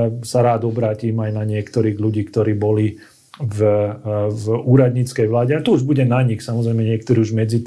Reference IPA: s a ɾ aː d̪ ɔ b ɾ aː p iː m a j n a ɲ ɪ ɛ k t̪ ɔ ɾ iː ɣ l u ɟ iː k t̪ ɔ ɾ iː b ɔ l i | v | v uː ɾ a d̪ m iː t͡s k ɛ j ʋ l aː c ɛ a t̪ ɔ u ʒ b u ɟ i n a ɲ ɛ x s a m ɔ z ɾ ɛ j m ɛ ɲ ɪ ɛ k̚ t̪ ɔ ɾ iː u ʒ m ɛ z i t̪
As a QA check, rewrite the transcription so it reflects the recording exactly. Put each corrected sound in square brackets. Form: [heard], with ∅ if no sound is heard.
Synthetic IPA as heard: s a ɾ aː d̪ ɔ b ɾ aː [c] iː m a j n a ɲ ɪ ɛ k t̪ ɔ ɾ iː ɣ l u ɟ iː k t̪ ɔ ɾ iː b ɔ l i | v | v uː ɾ a d̪ [ɲ] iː t͡s k ɛ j ʋ l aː [ɟ] ɛ a t̪ ɔ u ʒ b u ɟ [ɛ] n a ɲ [i] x s a m ɔ z ɾ ɛ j m ɛ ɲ ɪ ɛ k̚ t̪ ɔ ɾ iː u ʒ m ɛ [d͡z] i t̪